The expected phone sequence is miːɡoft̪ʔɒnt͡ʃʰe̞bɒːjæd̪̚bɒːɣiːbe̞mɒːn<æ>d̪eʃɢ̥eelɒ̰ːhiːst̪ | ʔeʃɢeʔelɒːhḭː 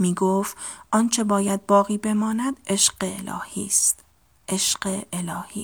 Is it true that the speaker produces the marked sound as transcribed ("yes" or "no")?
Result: yes